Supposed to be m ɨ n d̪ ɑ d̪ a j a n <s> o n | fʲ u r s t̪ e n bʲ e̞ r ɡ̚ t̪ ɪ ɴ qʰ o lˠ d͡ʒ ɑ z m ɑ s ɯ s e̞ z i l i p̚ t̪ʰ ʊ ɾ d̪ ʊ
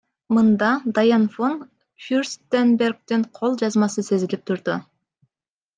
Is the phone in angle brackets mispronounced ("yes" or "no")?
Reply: yes